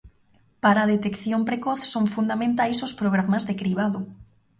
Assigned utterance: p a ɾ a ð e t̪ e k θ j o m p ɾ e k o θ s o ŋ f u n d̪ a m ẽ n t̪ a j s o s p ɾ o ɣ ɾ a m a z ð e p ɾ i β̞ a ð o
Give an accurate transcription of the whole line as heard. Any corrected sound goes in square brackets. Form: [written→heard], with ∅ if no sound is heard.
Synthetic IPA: p a ɾ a ð e t̪ e k θ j o m p ɾ e k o θ s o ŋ f u n d̪ a m ẽ n t̪ a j s o s p ɾ o ɣ ɾ a m a z ð e [p→k] ɾ i β̞ a ð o